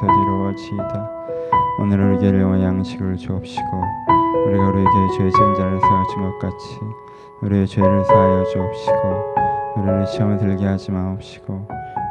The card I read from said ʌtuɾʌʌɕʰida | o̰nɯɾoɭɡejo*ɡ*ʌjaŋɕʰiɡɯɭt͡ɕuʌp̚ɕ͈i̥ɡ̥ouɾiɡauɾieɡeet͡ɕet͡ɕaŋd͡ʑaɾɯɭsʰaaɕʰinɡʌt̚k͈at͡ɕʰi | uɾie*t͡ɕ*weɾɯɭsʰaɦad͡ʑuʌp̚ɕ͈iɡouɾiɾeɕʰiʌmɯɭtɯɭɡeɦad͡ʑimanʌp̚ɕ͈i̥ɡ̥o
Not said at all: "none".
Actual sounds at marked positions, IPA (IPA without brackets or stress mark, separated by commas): ŋ, t͡ɕ